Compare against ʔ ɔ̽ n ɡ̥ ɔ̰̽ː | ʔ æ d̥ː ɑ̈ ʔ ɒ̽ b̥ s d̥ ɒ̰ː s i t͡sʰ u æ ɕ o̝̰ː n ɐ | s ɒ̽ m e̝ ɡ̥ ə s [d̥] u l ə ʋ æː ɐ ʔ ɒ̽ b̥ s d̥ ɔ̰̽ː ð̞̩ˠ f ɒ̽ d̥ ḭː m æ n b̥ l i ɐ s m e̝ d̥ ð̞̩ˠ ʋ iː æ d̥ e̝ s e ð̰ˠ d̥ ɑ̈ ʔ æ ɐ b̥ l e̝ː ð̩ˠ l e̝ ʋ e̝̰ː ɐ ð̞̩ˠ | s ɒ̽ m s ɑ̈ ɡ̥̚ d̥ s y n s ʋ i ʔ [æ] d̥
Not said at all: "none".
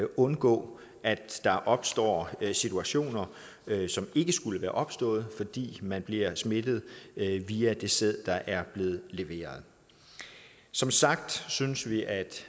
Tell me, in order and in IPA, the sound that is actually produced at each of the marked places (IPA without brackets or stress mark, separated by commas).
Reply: ɡ̥, æ